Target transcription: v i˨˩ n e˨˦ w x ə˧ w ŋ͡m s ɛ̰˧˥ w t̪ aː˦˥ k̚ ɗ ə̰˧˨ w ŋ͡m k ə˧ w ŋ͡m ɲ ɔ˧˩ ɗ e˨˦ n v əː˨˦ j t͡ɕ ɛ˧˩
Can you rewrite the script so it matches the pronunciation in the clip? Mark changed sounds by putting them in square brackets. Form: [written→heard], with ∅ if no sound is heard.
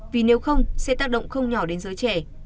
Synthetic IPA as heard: v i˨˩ n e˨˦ w x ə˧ w ŋ͡m s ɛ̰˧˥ [w→∅] t̪ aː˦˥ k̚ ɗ ə̰˧˨ w ŋ͡m [k→x] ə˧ w ŋ͡m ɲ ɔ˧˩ ɗ e˨˦ n [v→z] əː˨˦ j t͡ɕ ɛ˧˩